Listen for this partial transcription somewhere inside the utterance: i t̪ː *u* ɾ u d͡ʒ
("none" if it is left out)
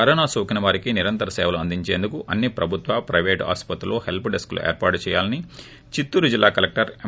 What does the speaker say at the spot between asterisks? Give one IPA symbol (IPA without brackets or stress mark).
uː